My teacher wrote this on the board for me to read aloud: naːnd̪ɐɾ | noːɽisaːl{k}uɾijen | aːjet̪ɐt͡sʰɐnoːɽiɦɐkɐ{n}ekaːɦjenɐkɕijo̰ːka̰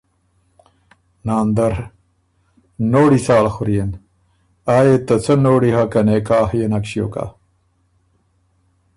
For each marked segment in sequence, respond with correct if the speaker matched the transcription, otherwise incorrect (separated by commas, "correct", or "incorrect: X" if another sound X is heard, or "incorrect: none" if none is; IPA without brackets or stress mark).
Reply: incorrect: x, correct